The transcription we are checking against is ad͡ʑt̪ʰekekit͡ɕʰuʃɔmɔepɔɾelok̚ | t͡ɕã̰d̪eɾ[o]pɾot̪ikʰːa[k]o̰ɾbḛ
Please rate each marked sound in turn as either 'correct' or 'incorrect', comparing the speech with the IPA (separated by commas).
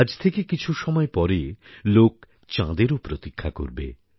correct, correct